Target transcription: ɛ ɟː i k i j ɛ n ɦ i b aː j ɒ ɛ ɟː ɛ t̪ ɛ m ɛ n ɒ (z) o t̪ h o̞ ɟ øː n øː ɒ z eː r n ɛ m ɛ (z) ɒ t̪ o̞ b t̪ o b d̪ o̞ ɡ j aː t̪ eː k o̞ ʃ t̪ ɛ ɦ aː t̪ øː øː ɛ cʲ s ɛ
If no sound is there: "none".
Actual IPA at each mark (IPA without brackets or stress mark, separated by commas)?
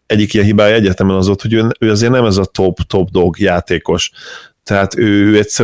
z, z